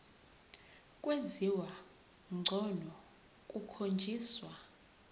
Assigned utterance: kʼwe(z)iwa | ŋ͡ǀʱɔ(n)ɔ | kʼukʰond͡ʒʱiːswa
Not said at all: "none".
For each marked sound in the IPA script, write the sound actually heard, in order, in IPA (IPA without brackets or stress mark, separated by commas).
z, n